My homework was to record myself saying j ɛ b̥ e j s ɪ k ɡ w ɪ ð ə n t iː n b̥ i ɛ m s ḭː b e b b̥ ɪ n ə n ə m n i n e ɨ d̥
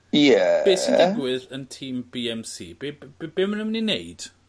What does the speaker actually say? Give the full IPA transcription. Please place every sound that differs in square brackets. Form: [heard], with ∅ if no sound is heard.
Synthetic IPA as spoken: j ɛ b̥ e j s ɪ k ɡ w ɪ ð ə n [tʰ] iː [m] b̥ i ɛ m s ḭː b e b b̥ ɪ [m] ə n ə m n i n e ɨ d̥